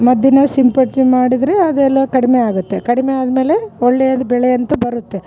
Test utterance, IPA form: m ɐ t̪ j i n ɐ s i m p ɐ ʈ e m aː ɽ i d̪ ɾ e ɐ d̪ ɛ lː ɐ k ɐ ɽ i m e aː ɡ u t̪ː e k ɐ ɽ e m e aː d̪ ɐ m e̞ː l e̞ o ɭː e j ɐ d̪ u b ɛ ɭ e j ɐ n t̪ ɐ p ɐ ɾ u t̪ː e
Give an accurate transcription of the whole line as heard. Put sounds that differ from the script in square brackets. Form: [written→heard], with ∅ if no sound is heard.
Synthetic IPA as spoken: m ɐ [t̪→d̪] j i n ɐ s i m p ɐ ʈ [e→i] m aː ɽ i d̪ ɾ e ɐ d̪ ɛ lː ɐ k ɐ ɽ i m e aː ɡ u t̪ː e k ɐ ɽ [e→i] m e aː d̪ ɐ m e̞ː l e̞ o ɭː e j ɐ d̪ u b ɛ ɭ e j ɐ n t̪ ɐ [p→b] ɐ ɾ u t̪ː e